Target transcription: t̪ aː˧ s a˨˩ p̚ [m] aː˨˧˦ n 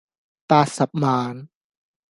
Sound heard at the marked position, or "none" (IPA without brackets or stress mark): m